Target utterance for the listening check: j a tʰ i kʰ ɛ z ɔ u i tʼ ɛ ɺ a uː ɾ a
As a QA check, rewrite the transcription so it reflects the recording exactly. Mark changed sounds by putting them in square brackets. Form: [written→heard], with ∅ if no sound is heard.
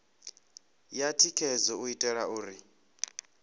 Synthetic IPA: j a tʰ i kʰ ɛ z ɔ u i tʼ ɛ ɺ a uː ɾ [a→i]